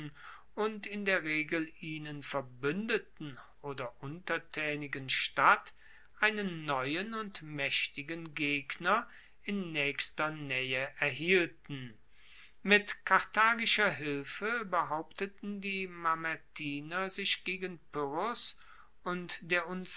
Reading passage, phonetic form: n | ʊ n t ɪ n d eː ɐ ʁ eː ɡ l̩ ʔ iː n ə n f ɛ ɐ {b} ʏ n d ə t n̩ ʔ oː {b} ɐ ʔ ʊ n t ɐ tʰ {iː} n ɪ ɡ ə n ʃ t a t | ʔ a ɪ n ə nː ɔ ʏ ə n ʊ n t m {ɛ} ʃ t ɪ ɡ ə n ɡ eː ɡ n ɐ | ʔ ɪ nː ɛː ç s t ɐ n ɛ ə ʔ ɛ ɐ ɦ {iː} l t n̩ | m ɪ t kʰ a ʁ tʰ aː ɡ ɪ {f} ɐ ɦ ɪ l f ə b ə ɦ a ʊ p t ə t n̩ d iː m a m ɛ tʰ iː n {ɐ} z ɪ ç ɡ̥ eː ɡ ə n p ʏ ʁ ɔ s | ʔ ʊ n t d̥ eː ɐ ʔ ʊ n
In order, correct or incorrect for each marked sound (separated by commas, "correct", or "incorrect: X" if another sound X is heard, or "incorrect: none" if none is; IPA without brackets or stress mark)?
correct, incorrect: d, incorrect: ɛː, correct, correct, incorrect: ʃ, correct